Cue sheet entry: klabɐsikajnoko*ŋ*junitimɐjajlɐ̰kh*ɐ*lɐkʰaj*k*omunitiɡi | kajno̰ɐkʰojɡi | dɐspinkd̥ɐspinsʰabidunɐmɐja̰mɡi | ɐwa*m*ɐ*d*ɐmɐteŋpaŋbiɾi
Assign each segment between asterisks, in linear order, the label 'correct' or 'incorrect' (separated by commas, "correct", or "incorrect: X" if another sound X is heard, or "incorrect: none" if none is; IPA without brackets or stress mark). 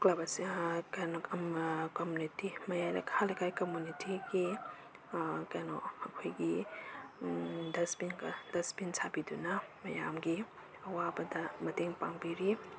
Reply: incorrect: m, incorrect: a, correct, incorrect: b, correct